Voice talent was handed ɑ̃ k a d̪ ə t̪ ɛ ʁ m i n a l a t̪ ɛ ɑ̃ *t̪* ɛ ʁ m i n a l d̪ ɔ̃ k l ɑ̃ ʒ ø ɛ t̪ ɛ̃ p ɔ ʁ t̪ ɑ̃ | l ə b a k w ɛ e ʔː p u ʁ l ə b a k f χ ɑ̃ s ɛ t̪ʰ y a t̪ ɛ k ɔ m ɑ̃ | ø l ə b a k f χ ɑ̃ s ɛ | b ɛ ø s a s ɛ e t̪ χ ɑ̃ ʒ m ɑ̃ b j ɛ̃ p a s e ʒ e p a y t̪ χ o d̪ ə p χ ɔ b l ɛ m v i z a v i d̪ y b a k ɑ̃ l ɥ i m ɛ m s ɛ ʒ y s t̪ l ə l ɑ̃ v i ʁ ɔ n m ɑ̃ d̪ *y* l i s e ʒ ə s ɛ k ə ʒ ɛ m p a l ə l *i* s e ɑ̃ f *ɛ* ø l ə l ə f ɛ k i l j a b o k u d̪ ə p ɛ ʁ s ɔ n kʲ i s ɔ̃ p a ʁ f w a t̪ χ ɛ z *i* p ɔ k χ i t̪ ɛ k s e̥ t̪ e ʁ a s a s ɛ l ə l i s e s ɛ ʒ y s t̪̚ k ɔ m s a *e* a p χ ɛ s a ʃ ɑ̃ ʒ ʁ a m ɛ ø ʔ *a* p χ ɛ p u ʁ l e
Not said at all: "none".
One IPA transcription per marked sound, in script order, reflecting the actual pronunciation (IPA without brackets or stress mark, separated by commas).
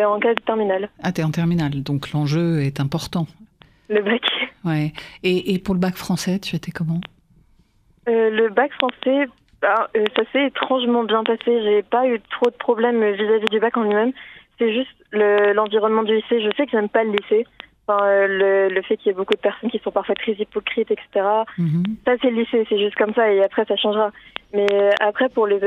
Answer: t̪, y, i, ɛ̃, i, e, a